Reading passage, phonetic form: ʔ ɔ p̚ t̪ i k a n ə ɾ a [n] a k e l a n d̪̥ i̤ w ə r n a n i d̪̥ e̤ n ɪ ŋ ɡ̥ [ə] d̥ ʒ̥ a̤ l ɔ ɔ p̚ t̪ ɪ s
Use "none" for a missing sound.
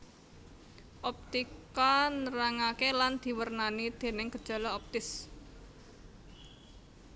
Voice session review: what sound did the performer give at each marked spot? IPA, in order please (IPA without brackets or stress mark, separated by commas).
ŋ, ə